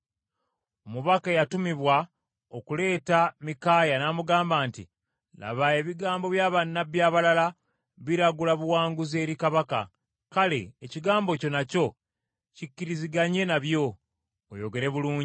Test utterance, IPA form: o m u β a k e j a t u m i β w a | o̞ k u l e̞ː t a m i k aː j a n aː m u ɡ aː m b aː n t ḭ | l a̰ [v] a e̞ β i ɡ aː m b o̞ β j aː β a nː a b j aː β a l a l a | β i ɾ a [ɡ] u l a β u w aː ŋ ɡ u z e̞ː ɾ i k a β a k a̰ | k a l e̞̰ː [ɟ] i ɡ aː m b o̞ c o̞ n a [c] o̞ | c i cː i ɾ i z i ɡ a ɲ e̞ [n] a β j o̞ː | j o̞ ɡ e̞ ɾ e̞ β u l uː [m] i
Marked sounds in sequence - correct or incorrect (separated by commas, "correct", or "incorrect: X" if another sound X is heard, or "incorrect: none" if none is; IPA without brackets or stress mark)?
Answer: incorrect: β, correct, incorrect: c, correct, correct, incorrect: ɲ